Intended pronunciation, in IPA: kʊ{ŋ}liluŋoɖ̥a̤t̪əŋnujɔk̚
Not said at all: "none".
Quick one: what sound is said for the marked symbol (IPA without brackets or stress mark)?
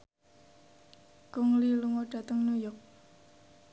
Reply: ŋ